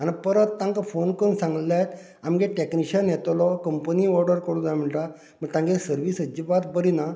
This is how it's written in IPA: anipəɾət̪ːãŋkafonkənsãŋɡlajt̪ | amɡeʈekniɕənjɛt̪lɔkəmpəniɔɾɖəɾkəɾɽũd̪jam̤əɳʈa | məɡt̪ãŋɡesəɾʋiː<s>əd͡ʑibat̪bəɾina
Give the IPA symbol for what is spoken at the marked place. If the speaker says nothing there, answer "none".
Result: s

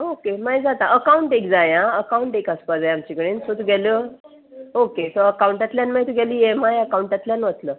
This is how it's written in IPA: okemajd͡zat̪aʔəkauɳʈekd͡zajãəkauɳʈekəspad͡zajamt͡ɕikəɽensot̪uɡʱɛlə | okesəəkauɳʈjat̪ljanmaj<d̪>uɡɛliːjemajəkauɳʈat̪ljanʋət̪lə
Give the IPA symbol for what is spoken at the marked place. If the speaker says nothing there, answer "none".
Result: t̪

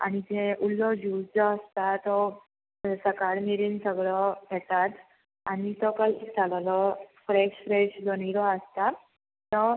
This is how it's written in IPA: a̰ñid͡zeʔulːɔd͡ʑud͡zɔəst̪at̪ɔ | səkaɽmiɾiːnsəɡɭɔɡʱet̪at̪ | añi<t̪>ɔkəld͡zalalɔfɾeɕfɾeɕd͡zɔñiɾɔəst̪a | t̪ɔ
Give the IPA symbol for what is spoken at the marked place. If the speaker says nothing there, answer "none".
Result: t̪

